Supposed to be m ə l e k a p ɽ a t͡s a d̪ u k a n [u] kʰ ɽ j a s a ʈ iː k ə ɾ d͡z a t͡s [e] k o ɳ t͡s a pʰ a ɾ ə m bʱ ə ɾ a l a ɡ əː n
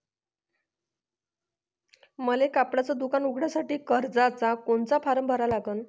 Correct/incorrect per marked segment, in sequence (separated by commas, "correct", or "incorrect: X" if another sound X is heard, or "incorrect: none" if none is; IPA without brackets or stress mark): correct, incorrect: a